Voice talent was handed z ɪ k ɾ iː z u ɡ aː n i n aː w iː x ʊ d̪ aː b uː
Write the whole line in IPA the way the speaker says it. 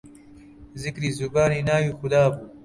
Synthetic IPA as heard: z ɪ k ɾ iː z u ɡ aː n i n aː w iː x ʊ d̪ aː b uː